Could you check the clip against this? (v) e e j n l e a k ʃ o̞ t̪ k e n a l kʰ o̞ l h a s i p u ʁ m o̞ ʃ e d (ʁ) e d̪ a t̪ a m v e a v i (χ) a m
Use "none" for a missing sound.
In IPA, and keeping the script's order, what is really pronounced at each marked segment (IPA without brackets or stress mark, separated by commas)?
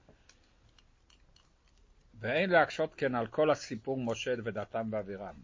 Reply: v, v, ʁ